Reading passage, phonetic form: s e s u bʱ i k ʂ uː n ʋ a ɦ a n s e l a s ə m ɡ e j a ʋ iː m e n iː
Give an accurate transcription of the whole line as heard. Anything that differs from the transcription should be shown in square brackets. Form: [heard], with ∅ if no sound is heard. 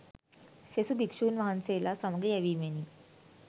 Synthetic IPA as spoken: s e s u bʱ i k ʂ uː n ʋ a ɦ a n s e l a s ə m ɡ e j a ʋ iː m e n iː